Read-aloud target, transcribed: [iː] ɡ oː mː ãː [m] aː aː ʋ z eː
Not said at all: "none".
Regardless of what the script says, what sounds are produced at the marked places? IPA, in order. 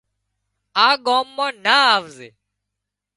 aː, n

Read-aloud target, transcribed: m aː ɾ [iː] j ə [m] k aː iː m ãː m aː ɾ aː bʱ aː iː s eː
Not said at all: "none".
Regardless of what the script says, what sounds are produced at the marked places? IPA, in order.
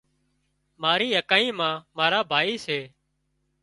iː, none

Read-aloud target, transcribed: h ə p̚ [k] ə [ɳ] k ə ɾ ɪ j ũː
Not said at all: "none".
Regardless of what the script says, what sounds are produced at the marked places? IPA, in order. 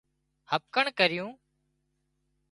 k, ɳ

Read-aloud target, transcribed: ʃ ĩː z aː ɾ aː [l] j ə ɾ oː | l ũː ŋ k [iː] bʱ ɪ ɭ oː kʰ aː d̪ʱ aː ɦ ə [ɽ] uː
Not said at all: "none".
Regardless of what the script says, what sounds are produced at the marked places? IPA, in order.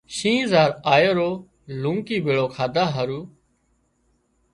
none, iː, ɾ

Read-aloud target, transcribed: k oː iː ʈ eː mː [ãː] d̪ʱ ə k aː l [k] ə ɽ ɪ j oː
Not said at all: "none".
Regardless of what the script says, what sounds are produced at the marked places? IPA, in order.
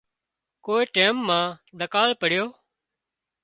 ãː, p

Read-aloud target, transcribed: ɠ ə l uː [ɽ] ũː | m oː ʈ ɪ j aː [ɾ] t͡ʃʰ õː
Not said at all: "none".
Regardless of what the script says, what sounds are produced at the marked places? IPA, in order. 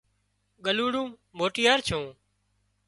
ɽ, ɾ

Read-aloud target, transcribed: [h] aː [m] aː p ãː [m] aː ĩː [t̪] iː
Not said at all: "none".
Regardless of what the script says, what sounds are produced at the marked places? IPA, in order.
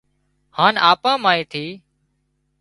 h, n, m, t̪ʰ

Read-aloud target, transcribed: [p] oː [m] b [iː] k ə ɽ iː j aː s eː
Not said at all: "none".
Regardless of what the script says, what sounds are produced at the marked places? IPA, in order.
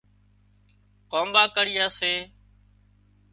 k, m, aː

